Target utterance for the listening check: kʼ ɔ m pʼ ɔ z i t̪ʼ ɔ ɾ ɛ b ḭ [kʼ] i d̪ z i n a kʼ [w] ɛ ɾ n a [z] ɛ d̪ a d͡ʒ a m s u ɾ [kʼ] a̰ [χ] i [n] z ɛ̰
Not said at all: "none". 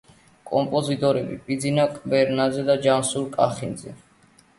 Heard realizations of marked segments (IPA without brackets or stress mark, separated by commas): pʼ, b, z, kʼ, χ, n